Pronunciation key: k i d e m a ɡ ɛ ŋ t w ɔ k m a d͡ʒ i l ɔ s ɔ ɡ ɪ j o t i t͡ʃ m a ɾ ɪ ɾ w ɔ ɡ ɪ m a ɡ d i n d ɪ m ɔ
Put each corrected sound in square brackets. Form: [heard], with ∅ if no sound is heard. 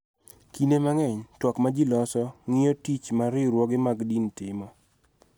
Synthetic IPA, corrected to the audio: k i [n] e m a [ŋ] ɛ [ɲ] t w ɔ k m a d͡ʒ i l ɔ s ɔ [ŋ] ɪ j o t i t͡ʃ m a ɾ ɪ ɾ w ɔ ɡ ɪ m a ɡ d i n [t] ɪ m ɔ